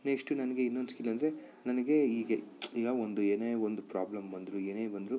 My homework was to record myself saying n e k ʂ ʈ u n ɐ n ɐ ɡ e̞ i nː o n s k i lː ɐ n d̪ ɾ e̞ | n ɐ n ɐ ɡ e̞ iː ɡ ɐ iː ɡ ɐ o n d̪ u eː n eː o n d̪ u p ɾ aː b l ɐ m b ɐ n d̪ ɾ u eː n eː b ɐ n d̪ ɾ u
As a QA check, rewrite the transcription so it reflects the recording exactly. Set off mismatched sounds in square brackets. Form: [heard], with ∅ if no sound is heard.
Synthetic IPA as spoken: n e k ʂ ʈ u n ɐ n ɐ ɡ e̞ i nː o n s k i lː ɐ n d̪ ɾ e̞ | n ɐ n ɐ ɡ e̞ iː ɡ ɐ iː ɡ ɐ o n d̪ u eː n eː o n d̪ u p ɾ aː b l ɐ m b ɐ n d̪ ɾ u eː n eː b ɐ n d̪ ɾ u